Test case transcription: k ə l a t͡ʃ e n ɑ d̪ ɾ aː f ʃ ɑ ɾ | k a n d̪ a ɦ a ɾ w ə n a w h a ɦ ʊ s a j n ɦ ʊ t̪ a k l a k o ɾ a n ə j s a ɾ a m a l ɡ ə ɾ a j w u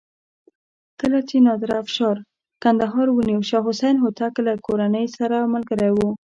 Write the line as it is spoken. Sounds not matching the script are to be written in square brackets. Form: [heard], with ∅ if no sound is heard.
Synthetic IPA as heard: k ə l a t͡ʃ e n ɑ d̪ ɾ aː f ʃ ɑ ɾ | k a n d̪ a ɦ [ɑ] ɾ w ə n [i] w [ʃ] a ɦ ʊ s a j n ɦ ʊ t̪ a k l a k o ɾ a n ə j s a ɾ a m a l ɡ ə ɾ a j w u